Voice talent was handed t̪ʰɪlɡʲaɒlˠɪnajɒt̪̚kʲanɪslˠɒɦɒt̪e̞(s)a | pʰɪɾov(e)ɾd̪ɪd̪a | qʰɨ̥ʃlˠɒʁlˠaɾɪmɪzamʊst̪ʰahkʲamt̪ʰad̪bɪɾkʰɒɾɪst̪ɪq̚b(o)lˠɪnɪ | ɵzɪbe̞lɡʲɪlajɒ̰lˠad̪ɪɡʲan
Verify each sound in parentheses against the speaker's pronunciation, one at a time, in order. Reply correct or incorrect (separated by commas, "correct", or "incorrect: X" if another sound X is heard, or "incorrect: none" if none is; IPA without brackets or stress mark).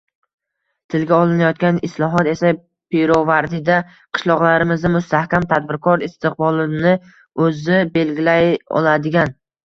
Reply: correct, incorrect: a, incorrect: ɒ